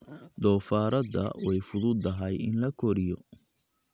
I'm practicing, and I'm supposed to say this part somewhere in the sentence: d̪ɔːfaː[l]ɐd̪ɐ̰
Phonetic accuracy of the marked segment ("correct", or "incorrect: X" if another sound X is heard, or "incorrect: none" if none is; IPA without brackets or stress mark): incorrect: ɾ